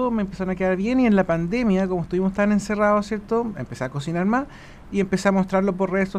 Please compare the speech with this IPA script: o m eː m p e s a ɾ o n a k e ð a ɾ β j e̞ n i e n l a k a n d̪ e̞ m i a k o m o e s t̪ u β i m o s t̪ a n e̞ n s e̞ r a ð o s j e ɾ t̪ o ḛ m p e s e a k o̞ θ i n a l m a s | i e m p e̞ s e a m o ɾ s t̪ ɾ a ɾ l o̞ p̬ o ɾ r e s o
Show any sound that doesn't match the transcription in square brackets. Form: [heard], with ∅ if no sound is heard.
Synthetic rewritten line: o m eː m p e s a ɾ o n a k e ð a ɾ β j e̞ n i e n l a [p] a n d̪ e̞ m [j] a k o m o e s t̪ u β i m o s t̪ a n e̞ n s e̞ r a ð o s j e ɾ t̪ o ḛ m p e s e a k o̞ [s] i n a [ɾ] m a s | i e m p e̞ s e a m o [∅] s t̪ ɾ a ɾ l o̞ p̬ o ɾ r e s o